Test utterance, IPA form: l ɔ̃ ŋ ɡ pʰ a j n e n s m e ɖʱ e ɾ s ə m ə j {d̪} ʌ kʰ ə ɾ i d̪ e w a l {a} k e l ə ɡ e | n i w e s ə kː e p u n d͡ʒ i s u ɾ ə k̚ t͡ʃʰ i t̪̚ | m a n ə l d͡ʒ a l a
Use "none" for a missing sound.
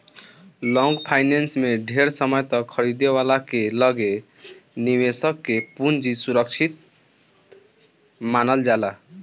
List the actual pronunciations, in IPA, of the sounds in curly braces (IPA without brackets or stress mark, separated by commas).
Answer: t̪, a